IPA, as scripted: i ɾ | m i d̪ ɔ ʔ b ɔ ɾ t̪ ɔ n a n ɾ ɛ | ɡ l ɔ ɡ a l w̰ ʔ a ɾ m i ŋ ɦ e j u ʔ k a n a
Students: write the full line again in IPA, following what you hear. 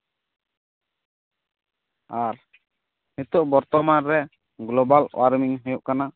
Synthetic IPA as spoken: a ɾ | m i t̪ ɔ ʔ b ɔ ɾ t̪ ɔ m a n ɾ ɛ | ɡ l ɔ b a l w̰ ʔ a ɾ m i ŋ ɦ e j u ʔ k a n a